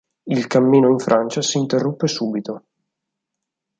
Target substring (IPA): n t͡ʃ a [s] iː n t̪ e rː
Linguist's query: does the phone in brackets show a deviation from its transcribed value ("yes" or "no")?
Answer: no